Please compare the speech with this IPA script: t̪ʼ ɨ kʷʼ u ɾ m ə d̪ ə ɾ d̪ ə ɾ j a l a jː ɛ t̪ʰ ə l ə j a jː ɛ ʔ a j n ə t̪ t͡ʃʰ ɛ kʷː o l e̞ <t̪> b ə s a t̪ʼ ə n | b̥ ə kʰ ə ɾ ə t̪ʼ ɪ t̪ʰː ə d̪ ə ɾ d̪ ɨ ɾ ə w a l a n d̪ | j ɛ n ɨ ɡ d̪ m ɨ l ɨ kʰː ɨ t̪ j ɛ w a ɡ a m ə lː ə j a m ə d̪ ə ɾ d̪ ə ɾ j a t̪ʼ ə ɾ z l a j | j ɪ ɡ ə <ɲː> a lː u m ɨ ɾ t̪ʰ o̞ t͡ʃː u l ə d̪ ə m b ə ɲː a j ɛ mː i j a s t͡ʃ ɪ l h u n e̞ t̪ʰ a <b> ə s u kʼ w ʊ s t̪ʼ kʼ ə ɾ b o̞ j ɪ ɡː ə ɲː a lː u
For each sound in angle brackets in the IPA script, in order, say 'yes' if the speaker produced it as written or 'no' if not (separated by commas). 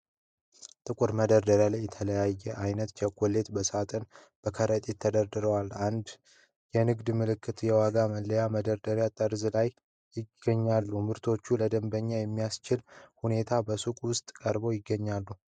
yes, yes, yes